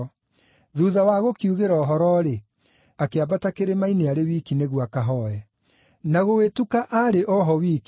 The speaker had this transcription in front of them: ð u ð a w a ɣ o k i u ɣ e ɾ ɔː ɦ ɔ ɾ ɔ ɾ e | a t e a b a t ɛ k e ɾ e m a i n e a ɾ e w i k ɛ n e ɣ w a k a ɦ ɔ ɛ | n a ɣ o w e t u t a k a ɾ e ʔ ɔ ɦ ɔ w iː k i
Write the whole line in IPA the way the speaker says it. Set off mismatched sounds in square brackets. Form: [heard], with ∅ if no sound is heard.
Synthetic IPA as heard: ð u ð a w a ɣ o k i u ɣ e ɾ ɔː ɦ ɔ ɾ ɔ ɾ e | a [k] e a b a t [a] k e ɾ e m a i n e a ɾ e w i k [i] n e ɣ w a k a ɦ ɔ ɛ | n a ɣ o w e t u [k] a [ʔ] a ɾ e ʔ ɔ ɦ ɔ w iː k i